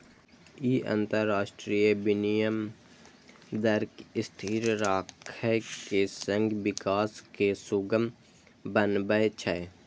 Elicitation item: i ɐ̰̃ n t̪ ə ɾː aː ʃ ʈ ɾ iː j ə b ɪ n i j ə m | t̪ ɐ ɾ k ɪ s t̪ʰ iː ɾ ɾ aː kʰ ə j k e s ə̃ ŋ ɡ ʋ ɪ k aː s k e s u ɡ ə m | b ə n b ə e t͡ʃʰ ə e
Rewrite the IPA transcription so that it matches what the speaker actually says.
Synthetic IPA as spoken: i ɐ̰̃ n t̪ ə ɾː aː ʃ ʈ ɾ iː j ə b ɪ n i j ə m | d̪ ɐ ɾ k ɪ s t̪ʰ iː ɾ ɾ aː kʰ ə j k e s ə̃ ŋ ɡ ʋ ɪ k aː s k e s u ɡ ə m | b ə n b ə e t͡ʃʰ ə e